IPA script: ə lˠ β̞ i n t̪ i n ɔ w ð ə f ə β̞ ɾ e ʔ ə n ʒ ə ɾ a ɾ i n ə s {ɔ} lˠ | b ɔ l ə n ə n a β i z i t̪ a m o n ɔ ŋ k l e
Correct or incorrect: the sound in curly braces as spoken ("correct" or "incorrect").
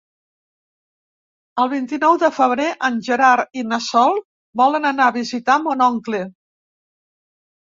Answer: correct